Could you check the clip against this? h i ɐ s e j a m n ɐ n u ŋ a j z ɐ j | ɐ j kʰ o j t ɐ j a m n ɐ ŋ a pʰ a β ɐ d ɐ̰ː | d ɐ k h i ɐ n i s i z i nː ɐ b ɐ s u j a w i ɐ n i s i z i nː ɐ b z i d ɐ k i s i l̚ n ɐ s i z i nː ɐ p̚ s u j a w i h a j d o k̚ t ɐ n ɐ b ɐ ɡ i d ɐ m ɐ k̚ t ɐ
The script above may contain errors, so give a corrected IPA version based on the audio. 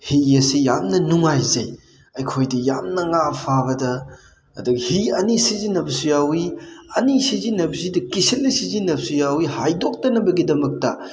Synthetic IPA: h i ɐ s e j a m n ɐ n u ŋ a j z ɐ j | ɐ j kʰ o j d ɐ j a m n ɐ ŋ a pʰ a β ɐ d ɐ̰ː | d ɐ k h i ɐ n i s i z i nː ɐ b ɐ s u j a w i ɐ n i s i z i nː ɐ b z i d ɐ k i s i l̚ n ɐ s i z i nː ɐ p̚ s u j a w i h a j d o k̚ t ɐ n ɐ b ɐ ɡ i d ɐ m ɐ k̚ t ɐ